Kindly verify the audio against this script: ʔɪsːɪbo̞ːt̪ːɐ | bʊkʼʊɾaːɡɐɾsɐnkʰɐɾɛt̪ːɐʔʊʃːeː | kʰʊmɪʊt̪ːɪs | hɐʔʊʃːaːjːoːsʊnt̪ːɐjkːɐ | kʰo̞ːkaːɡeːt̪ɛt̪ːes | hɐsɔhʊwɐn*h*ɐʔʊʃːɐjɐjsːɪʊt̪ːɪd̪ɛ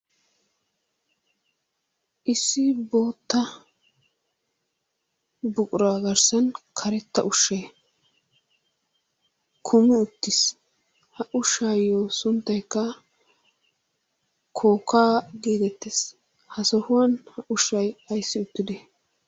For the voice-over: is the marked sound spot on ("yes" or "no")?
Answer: yes